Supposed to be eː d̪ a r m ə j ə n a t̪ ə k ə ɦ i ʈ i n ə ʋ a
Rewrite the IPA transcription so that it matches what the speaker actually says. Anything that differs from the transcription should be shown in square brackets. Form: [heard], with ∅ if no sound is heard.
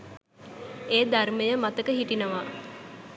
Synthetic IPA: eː d̪ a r m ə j ə [m] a t̪ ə k ə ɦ i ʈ i n ə ʋ a

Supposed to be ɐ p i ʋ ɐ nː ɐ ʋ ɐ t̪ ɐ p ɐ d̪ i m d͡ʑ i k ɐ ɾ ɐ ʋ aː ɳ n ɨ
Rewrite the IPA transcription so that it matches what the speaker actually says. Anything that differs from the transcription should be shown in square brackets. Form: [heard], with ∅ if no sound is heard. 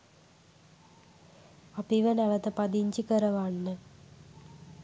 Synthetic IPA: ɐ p i ʋ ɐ [n] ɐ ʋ ɐ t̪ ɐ p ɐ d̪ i [ɲ] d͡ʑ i k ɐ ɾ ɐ ʋ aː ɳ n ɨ

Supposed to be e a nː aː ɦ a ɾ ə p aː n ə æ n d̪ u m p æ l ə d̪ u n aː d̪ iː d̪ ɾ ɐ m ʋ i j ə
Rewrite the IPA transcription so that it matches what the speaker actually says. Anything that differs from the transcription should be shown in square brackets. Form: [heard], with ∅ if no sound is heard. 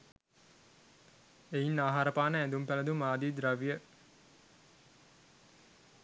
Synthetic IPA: e [i] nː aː ɦ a ɾ ə p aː n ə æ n d̪ u m p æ l ə d̪ u [m] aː d̪ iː d̪ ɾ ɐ [∅] ʋ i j ə

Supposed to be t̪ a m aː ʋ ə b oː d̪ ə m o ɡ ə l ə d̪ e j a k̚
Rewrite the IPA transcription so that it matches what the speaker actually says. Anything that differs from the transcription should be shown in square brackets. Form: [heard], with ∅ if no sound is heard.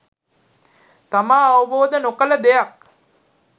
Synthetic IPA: t̪ a m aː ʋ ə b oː d̪ ə [n] o [k] ə l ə d̪ e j a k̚

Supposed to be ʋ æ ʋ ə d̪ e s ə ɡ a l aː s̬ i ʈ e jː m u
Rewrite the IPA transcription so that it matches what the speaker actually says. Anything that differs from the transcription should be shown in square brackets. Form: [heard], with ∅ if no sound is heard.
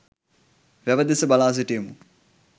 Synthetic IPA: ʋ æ ʋ ə d̪ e s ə [b] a l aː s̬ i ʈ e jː m u

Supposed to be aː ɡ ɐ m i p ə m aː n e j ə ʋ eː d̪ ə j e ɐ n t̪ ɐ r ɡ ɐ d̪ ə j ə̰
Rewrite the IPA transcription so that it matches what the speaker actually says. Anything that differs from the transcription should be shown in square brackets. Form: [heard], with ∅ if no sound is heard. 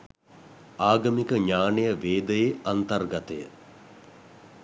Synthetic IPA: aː ɡ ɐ m i [k] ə [ɲ] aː n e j ə ʋ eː d̪ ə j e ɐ n t̪ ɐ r ɡ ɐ [t̪] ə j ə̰

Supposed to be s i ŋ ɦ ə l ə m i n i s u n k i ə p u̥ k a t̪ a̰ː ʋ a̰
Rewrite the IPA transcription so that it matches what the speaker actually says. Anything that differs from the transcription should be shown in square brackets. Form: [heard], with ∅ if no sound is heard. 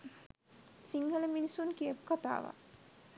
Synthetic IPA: s i ŋ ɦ ə l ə m i n i s u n k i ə p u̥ k a t̪ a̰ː ʋ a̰

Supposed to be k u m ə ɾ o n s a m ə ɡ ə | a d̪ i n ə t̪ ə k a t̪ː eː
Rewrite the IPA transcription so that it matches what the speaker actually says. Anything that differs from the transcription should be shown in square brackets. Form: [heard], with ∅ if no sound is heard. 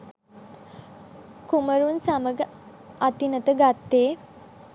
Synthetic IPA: k u m ə ɾ [u] n s a m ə ɡ ə | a [t̪] i n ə t̪ ə [ɡ] a t̪ː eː

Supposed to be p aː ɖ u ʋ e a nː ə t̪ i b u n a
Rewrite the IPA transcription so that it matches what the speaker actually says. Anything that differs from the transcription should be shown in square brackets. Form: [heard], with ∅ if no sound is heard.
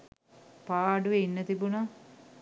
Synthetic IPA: p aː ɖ u ʋ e [i] nː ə t̪ i b u n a

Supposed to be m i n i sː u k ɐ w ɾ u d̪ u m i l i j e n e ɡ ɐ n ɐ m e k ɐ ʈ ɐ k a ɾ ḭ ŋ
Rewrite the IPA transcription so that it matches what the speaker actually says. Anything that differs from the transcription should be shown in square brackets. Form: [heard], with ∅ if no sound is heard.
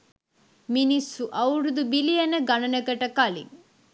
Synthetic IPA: m i n i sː u [ʔ] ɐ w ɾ u d̪ u [b] i l i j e n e ɡ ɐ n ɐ [n] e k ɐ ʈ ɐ k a [l] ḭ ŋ

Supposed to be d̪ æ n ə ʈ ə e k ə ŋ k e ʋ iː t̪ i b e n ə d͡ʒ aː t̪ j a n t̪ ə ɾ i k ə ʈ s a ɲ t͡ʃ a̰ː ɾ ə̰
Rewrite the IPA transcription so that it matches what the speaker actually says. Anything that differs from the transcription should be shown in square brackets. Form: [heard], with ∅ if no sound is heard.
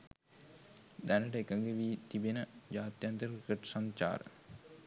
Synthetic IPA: d̪ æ n ə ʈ ə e k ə ŋ [ɡ] e ʋ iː t̪ i b e n ə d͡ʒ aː t̪ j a n t̪ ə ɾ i k ə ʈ s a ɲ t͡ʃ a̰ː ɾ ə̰

